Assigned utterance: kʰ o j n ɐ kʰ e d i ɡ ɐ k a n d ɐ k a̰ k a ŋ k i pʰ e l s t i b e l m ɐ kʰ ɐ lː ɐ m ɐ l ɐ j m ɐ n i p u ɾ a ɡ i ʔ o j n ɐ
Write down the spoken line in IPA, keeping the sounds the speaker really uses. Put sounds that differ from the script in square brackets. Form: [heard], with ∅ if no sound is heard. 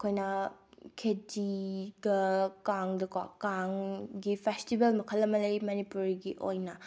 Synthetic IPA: kʰ o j n ɐ kʰ e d i ɡ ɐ k a [ŋ] d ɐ k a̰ k a ŋ [ɡ] i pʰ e [∅] s t i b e l m ɐ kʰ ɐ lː ɐ m ɐ l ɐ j m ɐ n i p u ɾ [i] ɡ i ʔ o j n ɐ

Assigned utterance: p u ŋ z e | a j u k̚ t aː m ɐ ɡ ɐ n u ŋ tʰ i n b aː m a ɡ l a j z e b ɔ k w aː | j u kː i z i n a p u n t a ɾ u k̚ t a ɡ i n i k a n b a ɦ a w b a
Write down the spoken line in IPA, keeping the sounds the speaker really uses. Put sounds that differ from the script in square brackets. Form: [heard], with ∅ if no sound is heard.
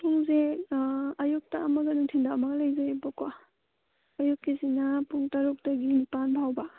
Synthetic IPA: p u ŋ z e | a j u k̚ t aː m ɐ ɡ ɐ n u ŋ tʰ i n [d] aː m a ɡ l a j z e b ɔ k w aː | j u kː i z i n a p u [ŋ] t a ɾ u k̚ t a ɡ i n i [p] a n b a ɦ a w b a

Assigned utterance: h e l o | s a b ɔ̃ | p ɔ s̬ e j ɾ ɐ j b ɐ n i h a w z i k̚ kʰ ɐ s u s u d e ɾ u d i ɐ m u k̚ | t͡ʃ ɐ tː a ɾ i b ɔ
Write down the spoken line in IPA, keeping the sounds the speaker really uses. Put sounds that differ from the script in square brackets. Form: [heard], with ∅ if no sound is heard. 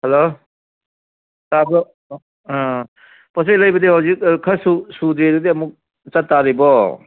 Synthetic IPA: h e l o | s a b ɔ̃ | p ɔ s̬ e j [l] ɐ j b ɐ [d] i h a w z i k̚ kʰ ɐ s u s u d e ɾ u d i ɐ m u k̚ | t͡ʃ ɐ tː a ɾ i b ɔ

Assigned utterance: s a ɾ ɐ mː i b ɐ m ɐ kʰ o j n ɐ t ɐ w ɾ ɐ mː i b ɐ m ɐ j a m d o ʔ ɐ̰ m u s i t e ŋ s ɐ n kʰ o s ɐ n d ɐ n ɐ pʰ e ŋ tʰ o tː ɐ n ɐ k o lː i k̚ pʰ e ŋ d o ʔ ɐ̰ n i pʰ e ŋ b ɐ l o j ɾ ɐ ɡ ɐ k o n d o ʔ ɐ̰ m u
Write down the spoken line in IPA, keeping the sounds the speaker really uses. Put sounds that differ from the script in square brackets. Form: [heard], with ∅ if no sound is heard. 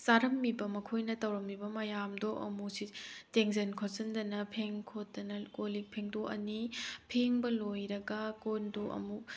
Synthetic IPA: s a ɾ ɐ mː i b ɐ m ɐ kʰ o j n ɐ t ɐ w ɾ ɐ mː i b ɐ m ɐ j a m d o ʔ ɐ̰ m u s i t e ŋ [z] ɐ n kʰ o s ɐ n d ɐ n ɐ pʰ e ŋ [kʰ] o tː ɐ n ɐ k o [l] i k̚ pʰ e ŋ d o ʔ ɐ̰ n i pʰ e ŋ b ɐ l o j ɾ ɐ ɡ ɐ k o n d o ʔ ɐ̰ m u

